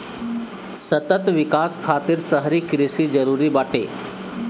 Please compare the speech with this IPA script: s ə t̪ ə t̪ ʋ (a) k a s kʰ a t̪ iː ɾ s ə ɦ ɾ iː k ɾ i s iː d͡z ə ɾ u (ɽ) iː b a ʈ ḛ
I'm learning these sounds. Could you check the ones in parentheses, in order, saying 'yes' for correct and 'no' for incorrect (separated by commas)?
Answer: no, no